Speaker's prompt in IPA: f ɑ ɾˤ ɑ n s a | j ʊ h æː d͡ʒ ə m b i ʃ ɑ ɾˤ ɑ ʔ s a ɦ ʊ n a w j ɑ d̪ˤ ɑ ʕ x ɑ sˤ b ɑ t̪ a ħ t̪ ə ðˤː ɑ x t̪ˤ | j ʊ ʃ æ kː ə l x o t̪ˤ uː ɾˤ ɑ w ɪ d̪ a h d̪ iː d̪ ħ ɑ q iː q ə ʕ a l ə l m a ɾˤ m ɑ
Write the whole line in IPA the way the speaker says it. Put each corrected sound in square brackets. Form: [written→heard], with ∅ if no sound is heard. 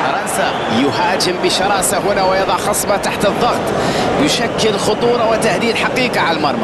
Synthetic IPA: f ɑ ɾˤ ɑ n s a | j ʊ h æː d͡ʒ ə m b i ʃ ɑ ɾˤ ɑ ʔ s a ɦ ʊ n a w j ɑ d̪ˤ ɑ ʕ x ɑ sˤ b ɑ t̪ a ħ t̪ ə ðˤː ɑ [x→ɣ] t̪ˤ | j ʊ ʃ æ kː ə l x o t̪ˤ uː ɾˤ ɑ w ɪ [d̪→t̪] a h d̪ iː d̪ ħ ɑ q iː q [ə→ɑ] ʕ a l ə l m [a→ɑ] ɾˤ m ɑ